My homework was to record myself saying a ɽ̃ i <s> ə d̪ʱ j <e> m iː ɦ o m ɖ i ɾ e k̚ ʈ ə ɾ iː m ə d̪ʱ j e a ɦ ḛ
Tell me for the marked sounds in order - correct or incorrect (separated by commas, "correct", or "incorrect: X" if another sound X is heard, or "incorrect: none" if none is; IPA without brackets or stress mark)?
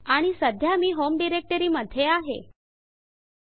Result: correct, incorrect: a